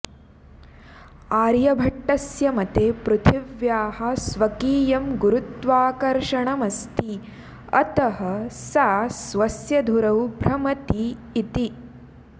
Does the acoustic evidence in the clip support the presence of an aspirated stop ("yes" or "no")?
yes